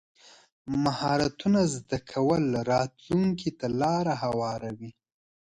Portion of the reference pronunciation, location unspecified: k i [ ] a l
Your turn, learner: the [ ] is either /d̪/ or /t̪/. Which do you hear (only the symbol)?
t̪